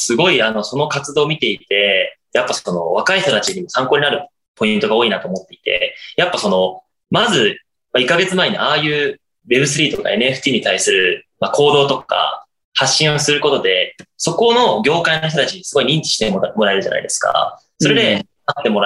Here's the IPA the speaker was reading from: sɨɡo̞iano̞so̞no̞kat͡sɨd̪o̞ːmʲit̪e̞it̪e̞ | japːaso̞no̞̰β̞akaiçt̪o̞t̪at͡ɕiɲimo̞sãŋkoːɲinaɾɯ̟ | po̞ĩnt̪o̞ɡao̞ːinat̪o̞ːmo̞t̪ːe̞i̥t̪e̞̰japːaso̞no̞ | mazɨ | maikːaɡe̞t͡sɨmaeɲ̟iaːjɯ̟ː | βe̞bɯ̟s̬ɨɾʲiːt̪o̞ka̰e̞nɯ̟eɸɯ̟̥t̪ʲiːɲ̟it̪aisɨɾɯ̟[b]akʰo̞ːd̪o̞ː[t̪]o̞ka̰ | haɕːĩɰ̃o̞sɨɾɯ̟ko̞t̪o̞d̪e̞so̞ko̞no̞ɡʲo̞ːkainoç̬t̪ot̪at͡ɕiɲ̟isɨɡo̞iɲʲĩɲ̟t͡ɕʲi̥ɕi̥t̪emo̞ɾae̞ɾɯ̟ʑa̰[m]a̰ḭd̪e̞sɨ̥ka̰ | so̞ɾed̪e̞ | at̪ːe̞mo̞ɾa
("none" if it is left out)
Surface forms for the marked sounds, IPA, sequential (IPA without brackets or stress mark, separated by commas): m, t̪, n